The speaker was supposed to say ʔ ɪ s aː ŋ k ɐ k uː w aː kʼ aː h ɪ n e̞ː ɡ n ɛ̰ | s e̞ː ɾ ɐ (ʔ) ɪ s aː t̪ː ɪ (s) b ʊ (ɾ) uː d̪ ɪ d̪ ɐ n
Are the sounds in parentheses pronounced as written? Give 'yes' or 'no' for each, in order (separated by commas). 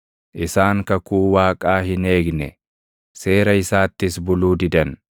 no, yes, no